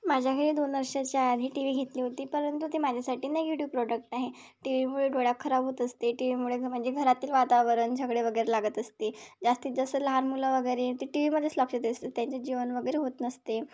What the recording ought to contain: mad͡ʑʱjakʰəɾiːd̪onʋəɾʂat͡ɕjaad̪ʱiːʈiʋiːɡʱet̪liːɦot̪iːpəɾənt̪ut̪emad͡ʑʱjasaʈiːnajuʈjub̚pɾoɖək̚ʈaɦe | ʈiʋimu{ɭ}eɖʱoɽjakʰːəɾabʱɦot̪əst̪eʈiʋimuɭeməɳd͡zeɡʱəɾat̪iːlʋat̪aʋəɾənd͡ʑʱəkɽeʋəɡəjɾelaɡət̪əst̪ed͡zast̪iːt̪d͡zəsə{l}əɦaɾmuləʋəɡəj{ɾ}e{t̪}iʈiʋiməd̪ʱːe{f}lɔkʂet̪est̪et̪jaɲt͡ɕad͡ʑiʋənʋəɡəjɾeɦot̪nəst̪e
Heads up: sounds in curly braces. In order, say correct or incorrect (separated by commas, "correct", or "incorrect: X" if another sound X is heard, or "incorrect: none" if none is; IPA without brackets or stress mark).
correct, correct, correct, correct, incorrect: s